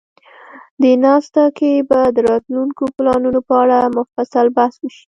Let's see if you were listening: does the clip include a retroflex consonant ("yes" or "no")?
yes